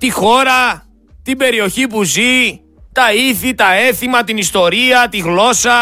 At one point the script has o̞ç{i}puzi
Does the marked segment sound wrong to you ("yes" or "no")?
no